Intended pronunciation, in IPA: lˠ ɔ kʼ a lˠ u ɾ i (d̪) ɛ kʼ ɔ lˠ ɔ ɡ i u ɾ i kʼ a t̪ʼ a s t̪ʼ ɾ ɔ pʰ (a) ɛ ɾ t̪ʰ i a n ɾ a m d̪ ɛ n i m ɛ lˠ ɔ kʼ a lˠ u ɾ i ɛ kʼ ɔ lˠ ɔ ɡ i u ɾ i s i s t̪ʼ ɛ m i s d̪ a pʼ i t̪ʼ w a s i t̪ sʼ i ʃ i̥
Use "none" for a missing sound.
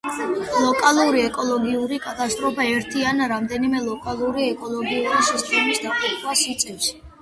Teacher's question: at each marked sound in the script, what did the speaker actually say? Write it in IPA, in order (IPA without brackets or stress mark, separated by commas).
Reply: none, a